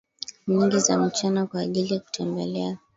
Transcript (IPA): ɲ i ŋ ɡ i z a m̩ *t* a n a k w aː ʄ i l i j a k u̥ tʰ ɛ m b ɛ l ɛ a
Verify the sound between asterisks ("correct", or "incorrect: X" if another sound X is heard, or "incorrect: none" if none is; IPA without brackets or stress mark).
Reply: incorrect: t͡ʃ